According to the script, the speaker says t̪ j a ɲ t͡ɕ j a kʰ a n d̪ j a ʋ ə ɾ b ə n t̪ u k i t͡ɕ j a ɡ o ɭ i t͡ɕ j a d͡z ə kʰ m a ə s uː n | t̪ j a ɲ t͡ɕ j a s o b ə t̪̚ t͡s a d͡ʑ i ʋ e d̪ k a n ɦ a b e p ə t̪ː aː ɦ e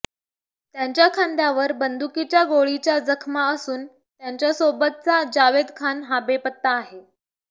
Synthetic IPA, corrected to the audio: t̪ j a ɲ t͡ɕ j a kʰ a n d̪ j a ʋ ə ɾ b ə n d̪ u k i t͡ɕ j a ɡ o ɭ i t͡ɕ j a d͡z ə kʰ m a ə s uː n | t̪ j a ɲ t͡ɕ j a s o b ə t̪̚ t͡s a d͡ʑ a ʋ e d̪ kʰ a n ɦ a b e p ə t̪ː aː ɦ e